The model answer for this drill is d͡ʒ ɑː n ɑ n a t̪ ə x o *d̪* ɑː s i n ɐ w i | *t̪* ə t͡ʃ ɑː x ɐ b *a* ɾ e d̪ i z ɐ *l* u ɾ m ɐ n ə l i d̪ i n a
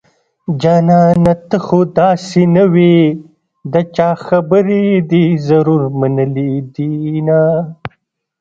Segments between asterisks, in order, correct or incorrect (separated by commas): correct, incorrect, incorrect, incorrect